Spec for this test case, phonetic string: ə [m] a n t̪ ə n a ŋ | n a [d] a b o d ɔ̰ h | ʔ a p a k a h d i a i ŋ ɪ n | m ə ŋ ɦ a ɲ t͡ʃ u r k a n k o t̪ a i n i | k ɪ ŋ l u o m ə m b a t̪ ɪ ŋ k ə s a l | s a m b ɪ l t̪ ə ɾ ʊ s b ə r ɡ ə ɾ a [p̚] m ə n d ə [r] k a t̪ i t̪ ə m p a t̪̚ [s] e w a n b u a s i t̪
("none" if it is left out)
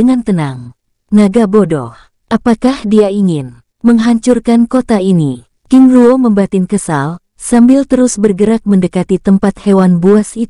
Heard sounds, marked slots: ŋ, ɡ, k̚, none, h

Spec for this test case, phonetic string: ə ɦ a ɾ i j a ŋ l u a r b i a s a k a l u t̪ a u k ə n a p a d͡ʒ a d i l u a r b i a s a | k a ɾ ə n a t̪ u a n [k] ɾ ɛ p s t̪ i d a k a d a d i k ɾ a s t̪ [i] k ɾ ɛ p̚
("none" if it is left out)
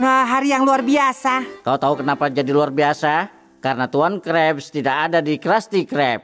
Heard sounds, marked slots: k, i

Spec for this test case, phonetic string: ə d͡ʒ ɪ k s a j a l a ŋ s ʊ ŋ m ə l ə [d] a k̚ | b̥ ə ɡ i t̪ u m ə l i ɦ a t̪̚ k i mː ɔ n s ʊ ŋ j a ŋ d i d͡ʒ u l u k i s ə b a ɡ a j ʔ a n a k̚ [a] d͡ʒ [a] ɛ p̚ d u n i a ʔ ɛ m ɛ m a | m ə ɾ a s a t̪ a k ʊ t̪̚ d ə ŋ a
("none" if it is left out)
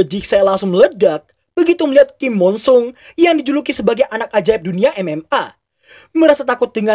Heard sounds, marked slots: d, a, a

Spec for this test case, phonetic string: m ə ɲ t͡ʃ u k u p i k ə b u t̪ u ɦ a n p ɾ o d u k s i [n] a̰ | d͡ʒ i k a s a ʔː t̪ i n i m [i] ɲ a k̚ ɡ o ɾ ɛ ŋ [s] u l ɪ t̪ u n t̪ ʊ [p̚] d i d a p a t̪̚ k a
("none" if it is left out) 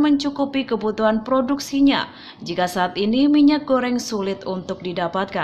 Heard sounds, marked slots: ɲ, i, s, k̚

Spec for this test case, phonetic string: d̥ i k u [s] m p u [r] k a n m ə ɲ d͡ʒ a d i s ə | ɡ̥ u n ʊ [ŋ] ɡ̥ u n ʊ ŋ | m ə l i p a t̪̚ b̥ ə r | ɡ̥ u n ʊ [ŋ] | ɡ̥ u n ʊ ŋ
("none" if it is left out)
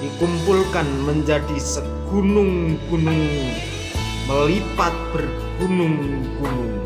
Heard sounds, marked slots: none, l, ŋ, ŋ

